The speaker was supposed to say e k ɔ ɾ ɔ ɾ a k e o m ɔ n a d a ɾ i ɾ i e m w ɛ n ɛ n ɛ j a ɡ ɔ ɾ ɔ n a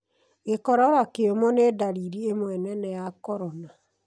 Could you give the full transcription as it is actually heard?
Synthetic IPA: e k ɔ ɾ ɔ ɾ a k e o m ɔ n e d a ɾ i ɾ i e m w ɛ n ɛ n ɛ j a k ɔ ɾ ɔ n a